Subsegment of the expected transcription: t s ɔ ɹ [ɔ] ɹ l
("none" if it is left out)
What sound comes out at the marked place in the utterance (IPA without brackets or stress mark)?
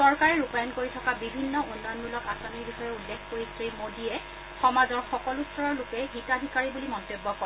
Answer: ɔ